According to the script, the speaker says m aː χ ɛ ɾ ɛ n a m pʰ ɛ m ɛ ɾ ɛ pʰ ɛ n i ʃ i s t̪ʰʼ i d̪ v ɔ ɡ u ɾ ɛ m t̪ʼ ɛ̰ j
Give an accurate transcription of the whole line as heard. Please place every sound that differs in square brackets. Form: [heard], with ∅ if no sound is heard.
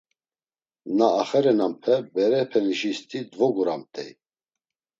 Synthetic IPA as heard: [n] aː χ ɛ ɾ ɛ n a m pʰ ɛ [b] ɛ ɾ ɛ pʰ ɛ n i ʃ i s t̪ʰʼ i d̪ v ɔ ɡ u ɾ [a] m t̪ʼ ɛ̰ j